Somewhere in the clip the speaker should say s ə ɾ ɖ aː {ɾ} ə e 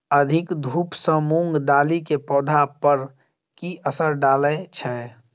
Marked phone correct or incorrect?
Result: incorrect